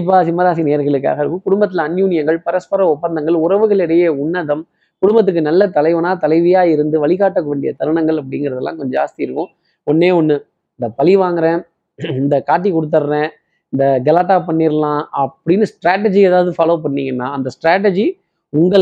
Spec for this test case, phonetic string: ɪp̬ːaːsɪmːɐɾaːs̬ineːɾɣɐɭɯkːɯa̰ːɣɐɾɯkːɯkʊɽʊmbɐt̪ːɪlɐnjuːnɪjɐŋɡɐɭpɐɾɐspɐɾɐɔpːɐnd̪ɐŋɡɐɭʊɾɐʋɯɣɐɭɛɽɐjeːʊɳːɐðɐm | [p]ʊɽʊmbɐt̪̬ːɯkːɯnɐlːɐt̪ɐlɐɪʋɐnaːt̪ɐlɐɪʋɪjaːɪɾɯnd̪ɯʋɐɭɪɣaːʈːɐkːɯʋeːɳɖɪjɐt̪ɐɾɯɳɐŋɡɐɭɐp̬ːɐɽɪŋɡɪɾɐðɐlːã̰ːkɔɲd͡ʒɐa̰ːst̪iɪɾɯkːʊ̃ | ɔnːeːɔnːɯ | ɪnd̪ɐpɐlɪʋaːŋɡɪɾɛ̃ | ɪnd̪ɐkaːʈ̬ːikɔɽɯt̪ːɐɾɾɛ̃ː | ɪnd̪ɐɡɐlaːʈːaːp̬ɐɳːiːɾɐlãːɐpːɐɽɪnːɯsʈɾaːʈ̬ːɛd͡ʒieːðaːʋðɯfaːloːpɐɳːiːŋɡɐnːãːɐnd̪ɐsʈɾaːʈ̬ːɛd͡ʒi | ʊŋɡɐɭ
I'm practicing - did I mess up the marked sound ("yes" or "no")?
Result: yes